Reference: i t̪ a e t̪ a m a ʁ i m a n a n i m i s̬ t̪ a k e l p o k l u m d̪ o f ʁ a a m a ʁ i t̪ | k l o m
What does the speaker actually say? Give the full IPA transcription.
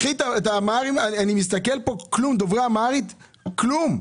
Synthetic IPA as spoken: i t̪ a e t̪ a m a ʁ i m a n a n i m i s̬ t̪ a k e l p o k l u m d̪ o v ʁ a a m a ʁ i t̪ | k l u m